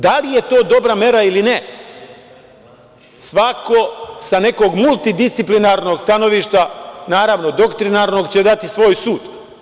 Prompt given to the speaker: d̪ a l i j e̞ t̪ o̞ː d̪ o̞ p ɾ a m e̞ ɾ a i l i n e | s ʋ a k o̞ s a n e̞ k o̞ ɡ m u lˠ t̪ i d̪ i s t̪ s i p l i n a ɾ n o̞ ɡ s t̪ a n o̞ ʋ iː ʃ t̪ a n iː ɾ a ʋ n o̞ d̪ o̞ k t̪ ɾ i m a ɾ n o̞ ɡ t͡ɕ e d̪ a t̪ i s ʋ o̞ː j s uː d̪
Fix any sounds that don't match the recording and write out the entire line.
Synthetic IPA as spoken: d̪ a l i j e̞ t̪ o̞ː d̪ o̞ b ɾ a m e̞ ɾ a i l i n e | s ʋ a k o̞ s a n e̞ k o̞ ɡ m u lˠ t̪ i d̪ i s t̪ s i p l i n a ɾ n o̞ ɡ s t̪ a n o̞ ʋ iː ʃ t̪ a n aː ɾ a ʋ n o̞ d̪ o̞ k t̪ ɾ i n a ɾ n o̞ ɡ t͡ɕ e d̪ a t̪ i s ʋ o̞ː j s uː d̪